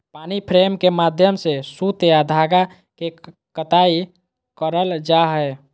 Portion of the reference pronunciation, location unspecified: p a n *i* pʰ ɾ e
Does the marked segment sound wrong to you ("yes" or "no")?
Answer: no